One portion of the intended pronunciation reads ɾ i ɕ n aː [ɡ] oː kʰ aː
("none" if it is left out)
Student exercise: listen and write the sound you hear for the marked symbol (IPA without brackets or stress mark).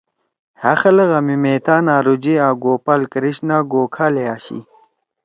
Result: ɡ